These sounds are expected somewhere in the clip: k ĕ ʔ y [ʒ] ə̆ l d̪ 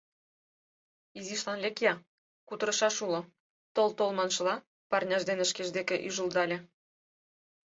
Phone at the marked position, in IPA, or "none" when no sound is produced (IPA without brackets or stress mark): ʒ